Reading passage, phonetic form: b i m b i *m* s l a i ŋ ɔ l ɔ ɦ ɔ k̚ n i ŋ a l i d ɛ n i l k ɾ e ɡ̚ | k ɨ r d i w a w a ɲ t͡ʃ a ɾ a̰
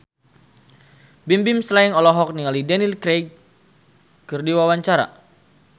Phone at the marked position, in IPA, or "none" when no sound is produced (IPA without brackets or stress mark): m